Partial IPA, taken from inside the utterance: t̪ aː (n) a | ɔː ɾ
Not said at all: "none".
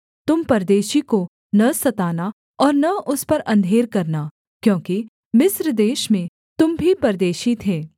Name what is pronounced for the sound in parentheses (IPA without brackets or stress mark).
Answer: n